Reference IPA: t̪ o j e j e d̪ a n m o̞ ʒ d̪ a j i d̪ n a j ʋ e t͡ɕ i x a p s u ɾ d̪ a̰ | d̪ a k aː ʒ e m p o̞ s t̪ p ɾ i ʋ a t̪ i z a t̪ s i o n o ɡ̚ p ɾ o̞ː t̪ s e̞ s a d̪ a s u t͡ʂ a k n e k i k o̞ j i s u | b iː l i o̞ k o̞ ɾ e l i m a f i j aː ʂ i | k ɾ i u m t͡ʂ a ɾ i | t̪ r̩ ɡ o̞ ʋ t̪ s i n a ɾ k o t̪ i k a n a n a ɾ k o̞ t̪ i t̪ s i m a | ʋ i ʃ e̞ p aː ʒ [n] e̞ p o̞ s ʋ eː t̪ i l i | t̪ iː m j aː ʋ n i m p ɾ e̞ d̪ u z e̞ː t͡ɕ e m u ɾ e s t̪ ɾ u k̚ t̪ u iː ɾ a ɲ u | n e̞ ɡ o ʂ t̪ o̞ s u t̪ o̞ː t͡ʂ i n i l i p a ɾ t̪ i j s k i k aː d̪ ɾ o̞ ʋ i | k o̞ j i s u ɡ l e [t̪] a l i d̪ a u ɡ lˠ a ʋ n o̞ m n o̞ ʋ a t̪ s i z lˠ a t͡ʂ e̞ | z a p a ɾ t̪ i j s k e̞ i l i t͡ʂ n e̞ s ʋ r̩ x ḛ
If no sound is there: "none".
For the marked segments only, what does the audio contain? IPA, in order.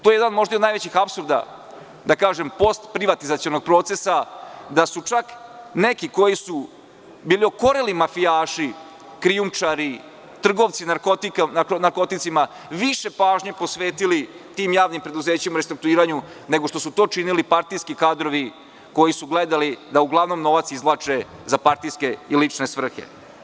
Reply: ɲ, d̪

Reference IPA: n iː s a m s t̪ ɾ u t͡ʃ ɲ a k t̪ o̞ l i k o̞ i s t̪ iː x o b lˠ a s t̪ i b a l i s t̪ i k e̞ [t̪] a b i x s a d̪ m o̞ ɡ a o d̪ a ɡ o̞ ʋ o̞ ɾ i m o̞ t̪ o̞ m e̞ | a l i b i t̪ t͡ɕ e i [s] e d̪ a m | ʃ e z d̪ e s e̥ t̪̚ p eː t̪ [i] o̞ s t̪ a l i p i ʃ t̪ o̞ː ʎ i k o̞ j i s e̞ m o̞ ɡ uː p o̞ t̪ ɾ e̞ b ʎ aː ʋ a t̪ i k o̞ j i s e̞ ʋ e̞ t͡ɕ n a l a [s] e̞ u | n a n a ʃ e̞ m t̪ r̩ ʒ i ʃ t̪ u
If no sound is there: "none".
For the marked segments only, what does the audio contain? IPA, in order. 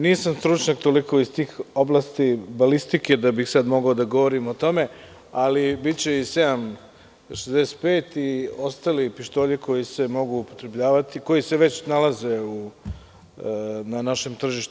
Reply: d̪, s, i, z

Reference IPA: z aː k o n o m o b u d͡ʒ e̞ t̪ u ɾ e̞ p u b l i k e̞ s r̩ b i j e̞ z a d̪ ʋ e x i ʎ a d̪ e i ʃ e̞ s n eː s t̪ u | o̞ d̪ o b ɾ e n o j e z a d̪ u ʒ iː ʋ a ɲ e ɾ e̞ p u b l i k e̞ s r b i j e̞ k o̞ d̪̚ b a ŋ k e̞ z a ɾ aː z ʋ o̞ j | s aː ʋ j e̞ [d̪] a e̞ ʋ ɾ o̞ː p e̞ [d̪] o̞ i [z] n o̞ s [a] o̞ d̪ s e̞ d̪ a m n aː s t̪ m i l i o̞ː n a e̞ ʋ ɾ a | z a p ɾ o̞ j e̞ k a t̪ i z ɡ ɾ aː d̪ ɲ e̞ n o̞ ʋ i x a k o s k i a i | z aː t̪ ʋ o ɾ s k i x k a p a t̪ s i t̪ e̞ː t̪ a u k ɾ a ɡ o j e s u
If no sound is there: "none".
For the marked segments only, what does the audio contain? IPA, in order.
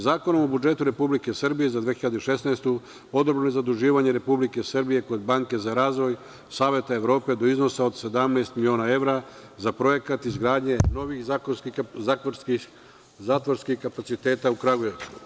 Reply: t̪, d̪, z, a

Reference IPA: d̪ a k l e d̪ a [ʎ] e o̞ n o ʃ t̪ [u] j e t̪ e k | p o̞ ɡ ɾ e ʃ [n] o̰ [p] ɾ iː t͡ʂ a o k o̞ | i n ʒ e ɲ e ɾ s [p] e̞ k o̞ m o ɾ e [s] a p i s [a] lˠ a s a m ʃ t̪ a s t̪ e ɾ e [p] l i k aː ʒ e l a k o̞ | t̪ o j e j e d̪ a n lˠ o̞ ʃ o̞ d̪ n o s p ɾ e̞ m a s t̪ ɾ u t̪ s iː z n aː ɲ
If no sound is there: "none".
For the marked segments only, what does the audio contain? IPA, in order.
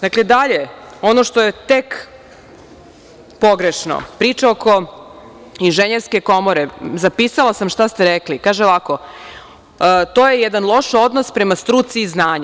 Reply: ʎ, o, n, p, k, z, a, k

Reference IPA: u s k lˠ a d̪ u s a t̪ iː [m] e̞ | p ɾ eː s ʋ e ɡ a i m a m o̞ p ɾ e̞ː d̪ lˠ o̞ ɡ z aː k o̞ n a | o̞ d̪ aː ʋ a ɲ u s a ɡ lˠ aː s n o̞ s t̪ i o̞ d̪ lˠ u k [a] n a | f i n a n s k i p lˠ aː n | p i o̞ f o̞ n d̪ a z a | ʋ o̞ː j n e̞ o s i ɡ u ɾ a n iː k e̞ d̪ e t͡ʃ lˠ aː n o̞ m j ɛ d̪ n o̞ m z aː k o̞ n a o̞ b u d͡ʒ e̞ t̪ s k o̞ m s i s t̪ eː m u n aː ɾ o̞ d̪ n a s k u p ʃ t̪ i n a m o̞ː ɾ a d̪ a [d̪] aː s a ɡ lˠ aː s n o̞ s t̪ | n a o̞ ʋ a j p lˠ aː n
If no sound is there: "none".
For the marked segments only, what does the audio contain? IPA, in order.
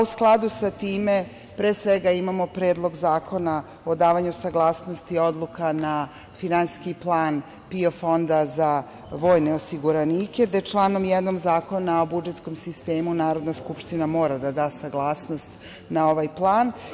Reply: m, a, d̪

